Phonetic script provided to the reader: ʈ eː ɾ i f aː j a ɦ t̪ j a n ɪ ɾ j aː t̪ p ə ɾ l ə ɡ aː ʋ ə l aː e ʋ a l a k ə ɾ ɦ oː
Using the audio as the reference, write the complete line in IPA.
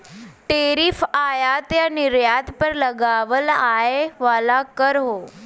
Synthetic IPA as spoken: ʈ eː ɾ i f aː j a t̪ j a n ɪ ɾ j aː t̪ p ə ɾ l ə ɡ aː ʋ ə l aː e ʋ a l a k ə ɾ ɦ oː